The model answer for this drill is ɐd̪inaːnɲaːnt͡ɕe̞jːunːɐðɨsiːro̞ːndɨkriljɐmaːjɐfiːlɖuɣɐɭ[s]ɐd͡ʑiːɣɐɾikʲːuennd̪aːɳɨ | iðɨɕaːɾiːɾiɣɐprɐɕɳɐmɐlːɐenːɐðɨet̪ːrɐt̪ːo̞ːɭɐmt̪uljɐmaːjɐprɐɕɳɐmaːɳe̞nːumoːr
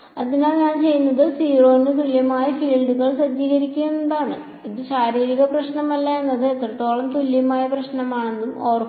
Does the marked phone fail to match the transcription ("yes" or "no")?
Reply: no